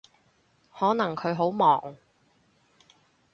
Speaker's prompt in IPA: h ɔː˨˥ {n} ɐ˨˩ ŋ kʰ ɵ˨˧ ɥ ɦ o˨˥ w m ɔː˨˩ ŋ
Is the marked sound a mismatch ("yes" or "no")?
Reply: no